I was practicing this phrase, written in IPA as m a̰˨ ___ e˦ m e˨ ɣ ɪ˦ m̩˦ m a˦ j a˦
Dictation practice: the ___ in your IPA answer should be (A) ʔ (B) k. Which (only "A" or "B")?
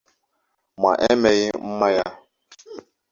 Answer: A